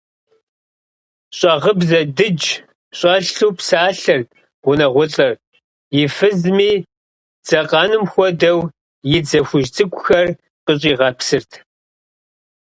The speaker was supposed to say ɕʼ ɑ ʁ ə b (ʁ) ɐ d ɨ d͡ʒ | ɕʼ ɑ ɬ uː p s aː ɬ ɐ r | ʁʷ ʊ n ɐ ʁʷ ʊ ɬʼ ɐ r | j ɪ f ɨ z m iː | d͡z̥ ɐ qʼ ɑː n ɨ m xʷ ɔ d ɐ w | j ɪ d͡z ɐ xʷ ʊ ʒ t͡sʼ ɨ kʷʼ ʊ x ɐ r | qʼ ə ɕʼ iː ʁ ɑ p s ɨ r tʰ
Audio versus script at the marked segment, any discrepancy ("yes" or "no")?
yes